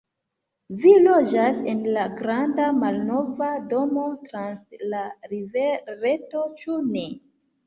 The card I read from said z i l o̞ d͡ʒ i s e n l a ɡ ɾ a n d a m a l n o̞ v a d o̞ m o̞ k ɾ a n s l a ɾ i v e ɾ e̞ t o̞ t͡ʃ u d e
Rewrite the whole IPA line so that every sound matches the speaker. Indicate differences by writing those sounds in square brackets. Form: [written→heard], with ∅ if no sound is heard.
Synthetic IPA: [z→v] i l o̞ d͡ʒ [i→a] s e n l a ɡ ɾ a n d a m a l n o̞ v a d o̞ m o̞ [k→t] ɾ a n s l a ɾ i v e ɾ e̞ t o̞ t͡ʃ u [d→n] e

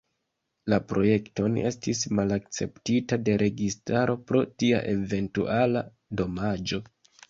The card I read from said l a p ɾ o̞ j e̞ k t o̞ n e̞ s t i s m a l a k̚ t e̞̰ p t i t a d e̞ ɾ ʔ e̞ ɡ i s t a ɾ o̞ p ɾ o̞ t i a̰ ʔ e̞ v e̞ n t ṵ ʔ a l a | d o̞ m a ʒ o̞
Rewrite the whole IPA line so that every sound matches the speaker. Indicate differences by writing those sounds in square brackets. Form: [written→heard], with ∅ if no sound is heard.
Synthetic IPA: l a p ɾ o̞ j e̞ k t o̞ n e̞ s t i s m a l a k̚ [t→t͡s] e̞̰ p t i t a d e̞ ɾ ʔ e̞ ɡ i s t a ɾ o̞ p ɾ o̞ t i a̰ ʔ e̞ v e̞ n t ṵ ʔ a l a | d o̞ m a [ʒ→d͡ʒ] o̞

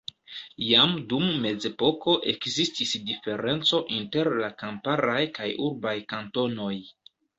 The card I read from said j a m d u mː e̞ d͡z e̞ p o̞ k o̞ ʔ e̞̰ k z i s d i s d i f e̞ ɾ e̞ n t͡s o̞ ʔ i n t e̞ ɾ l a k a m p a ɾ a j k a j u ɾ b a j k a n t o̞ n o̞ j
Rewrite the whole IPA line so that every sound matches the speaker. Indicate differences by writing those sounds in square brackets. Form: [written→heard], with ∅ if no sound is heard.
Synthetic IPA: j a m d u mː e̞ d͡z e̞ p o̞ k o̞ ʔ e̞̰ k z i s [d→t] i s d i f e̞ ɾ e̞ n t͡s o̞ ʔ i n t e̞ ɾ l a k a m p a ɾ a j k a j u ɾ b a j k a n t o̞ n o̞ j

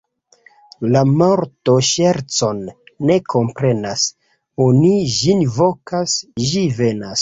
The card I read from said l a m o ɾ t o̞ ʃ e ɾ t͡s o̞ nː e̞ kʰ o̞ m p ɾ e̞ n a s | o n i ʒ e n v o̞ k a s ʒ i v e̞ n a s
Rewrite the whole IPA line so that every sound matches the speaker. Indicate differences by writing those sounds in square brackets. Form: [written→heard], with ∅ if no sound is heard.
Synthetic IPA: l a m o ɾ t o̞ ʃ e ɾ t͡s o̞ nː e̞ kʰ o̞ m p ɾ e̞ n a s | o n i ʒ [e→i] n v o̞ k a s ʒ i v e̞ n a s

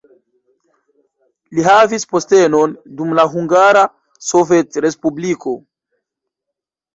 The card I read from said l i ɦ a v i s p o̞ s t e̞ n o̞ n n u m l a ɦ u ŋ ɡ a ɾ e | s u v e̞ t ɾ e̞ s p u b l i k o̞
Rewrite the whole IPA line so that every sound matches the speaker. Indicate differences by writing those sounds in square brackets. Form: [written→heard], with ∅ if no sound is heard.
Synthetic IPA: l i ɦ a v i s p o̞ s t e̞ n o̞ n [n→d] u m l a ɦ u ŋ ɡ a ɾ [e→a] | s [u→o] v e̞ t ɾ e̞ s p u b l i k o̞

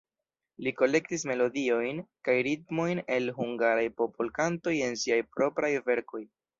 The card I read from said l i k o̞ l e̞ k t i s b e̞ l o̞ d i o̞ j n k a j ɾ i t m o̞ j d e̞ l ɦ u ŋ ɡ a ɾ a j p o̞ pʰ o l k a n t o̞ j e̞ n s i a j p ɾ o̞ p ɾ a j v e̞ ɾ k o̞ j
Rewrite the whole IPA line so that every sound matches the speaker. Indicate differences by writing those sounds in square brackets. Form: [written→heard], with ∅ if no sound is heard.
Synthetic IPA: l i k o̞ l e̞ k t i s [b→m] e̞ l o̞ d i o̞ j n k a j ɾ i t m o̞ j [d→n] e̞ l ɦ u ŋ ɡ a ɾ a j p o̞ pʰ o l k a n t o̞ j e̞ n s i a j p ɾ o̞ p ɾ a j v e̞ ɾ k o̞ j

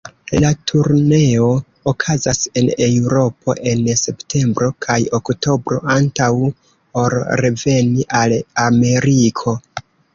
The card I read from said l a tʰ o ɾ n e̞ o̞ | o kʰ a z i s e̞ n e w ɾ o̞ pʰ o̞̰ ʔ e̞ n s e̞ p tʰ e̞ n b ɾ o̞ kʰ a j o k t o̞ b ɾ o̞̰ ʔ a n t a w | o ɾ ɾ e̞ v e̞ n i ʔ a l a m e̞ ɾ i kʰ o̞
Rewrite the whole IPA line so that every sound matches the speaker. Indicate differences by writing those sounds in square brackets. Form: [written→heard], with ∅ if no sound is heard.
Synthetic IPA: l a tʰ [o→u] ɾ n e̞ o̞ | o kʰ a z [i→a] s e̞ n e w ɾ o̞ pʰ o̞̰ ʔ e̞ n s e̞ p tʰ e̞ [n→m] b ɾ o̞ kʰ a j o k t o̞ b ɾ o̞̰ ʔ a n t a w | o ɾ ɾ e̞ v e̞ n i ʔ a l a m e̞ ɾ i kʰ o̞

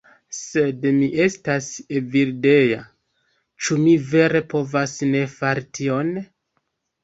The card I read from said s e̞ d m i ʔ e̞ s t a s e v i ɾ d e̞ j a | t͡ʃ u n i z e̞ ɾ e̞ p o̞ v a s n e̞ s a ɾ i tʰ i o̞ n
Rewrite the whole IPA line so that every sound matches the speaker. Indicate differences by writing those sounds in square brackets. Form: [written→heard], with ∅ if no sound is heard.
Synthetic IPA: s e̞ d m i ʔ e̞ s t a s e v i ɾ d e̞ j a | t͡ʃ u [n→m] i [z→v] e̞ ɾ e̞ p o̞ v a s n e̞ [s→f] a ɾ i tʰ i o̞ n

